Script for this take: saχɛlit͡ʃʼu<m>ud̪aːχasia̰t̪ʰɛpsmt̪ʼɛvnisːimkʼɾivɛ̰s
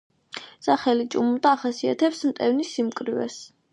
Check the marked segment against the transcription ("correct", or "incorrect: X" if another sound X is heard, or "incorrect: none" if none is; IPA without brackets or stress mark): correct